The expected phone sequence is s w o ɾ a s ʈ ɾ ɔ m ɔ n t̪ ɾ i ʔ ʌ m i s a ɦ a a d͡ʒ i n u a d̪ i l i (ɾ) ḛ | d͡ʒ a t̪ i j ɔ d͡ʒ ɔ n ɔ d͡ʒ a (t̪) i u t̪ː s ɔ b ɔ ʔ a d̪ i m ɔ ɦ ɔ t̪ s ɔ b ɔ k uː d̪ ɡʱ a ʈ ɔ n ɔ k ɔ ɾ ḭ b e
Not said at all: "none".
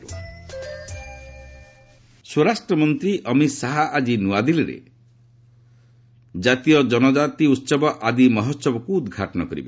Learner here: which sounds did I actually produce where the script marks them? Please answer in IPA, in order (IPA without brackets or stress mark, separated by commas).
ɾ, t̪